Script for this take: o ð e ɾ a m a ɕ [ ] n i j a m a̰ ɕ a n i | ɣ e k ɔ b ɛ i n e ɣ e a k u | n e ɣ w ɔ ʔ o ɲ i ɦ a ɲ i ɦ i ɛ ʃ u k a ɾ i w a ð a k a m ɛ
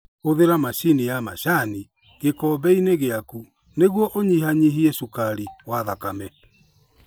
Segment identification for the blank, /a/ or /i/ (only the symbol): i